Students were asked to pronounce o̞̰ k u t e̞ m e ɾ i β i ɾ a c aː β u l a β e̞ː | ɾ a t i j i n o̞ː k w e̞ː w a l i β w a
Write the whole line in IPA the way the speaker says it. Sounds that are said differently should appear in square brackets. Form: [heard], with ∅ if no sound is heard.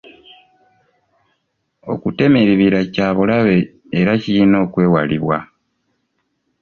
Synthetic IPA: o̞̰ k u t e̞ m e ɾ i β i ɾ a c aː β u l a β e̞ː | ɾ a [c] i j i n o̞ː k w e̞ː w a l i β w a